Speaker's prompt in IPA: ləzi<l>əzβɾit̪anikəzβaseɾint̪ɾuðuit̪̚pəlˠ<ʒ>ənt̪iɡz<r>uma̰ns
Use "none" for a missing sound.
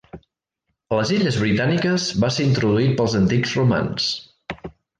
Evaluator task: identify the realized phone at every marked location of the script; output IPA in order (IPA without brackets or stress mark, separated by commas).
ʎ, z, r